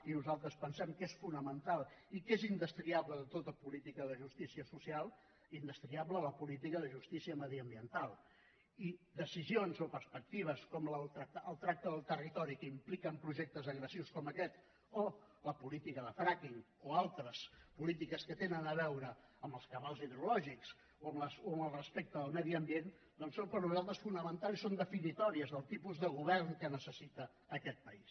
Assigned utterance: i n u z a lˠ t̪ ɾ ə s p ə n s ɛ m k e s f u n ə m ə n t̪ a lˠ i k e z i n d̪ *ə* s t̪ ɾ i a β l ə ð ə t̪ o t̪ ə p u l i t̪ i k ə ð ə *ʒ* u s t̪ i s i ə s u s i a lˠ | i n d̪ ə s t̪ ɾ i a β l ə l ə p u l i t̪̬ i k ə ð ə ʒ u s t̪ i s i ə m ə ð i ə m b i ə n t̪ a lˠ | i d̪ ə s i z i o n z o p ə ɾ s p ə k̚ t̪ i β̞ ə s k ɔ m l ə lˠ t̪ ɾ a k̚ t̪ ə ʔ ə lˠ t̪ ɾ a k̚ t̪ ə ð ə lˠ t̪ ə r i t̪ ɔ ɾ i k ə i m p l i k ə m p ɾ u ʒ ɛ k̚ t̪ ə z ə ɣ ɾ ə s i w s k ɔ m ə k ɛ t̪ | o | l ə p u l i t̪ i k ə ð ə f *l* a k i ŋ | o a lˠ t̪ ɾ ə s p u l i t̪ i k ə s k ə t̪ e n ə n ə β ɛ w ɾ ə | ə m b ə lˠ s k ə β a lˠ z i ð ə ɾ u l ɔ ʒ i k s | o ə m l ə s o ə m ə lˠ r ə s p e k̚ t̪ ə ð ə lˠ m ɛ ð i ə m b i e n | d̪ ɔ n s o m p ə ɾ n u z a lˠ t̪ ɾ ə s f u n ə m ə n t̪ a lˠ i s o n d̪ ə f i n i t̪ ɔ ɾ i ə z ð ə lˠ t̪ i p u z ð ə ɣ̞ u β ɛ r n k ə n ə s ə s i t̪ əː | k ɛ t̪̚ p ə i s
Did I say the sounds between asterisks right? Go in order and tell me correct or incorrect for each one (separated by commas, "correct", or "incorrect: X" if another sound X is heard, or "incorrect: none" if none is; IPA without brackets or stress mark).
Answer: correct, correct, incorrect: ɾ